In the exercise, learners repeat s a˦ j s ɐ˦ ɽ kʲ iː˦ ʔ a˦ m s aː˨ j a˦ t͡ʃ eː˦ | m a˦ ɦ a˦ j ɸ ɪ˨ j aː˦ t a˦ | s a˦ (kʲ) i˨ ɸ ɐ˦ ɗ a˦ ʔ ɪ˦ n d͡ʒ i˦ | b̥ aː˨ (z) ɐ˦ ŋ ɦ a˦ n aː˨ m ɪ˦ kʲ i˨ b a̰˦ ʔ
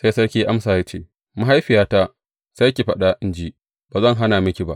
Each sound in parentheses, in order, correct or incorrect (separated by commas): correct, correct